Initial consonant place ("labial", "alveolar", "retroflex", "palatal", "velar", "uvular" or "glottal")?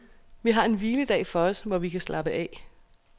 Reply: labial